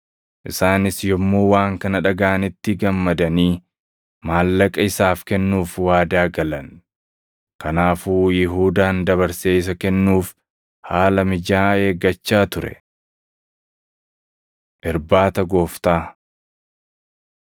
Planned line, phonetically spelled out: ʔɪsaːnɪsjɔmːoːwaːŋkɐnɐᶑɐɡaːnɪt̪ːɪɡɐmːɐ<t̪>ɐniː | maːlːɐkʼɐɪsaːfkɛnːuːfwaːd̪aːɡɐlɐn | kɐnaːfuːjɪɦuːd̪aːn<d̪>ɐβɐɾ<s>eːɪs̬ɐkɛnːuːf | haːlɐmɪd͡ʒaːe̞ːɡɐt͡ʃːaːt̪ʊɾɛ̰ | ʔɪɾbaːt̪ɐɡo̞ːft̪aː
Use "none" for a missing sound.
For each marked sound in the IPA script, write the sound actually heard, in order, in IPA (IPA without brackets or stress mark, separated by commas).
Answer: d̪, d̪, s